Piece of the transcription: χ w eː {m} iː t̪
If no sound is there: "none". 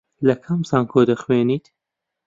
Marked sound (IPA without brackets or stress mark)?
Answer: n